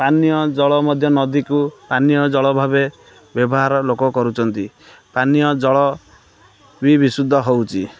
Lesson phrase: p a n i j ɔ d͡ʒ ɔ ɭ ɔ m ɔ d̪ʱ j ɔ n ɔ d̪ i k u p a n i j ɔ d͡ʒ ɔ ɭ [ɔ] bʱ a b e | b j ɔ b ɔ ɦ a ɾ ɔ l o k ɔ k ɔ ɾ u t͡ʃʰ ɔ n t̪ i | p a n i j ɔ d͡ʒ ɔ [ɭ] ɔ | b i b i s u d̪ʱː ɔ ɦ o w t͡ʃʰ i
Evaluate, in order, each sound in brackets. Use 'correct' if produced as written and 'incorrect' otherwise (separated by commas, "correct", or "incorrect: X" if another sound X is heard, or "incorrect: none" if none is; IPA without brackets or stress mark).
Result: correct, correct